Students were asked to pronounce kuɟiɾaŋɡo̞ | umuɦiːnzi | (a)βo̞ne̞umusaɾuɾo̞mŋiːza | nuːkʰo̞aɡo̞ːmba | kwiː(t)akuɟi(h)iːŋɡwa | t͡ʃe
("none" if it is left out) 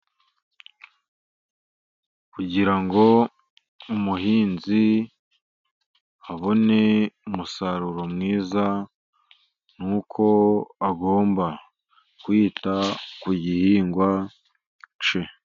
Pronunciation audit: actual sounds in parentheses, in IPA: a, t, h

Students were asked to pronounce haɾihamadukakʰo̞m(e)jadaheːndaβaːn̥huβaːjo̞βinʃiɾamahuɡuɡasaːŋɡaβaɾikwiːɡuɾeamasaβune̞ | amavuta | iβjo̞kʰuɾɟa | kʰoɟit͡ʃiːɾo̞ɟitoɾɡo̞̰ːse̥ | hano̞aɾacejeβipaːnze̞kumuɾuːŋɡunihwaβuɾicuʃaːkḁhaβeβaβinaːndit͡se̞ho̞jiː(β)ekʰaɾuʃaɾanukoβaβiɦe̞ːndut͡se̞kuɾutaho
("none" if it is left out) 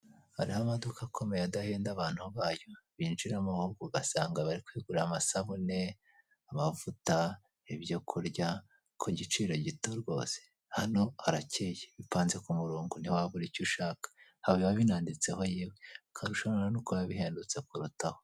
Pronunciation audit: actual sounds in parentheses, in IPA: e, w

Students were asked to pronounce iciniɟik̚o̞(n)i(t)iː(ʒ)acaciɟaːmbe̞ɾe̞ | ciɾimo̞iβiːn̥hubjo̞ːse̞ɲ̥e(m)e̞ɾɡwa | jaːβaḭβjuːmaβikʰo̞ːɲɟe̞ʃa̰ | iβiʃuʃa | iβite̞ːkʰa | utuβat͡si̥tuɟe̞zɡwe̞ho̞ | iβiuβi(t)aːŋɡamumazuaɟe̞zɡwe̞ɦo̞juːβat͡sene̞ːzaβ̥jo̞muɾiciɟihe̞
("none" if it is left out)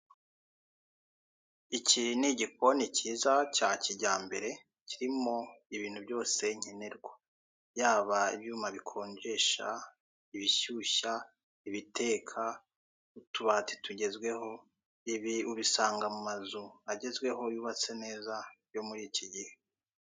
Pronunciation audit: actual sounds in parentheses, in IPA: n, c, z, n, s

